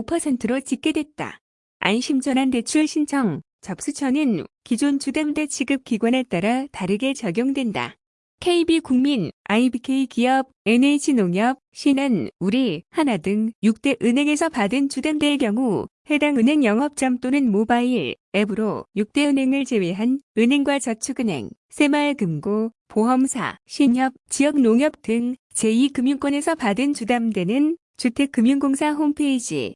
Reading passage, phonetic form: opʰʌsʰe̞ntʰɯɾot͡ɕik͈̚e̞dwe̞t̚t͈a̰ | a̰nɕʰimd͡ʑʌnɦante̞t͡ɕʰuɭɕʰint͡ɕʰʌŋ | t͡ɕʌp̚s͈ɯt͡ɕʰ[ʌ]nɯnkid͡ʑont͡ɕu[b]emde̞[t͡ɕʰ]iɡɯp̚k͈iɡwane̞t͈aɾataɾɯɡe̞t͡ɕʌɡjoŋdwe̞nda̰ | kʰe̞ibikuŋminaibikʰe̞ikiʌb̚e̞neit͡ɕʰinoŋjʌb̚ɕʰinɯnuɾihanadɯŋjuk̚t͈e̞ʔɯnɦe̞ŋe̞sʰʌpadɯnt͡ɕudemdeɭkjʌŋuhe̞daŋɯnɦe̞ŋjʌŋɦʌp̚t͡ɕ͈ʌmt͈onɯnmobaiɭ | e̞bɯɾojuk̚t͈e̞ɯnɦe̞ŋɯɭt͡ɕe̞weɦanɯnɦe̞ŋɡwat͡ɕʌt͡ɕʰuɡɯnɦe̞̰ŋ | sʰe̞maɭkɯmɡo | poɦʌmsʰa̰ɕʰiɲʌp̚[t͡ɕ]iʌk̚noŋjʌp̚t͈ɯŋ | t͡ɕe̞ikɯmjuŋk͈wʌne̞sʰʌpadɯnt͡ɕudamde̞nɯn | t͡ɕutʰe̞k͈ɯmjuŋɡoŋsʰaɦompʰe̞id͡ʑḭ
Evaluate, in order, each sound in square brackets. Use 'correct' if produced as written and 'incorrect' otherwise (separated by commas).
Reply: correct, incorrect, correct, correct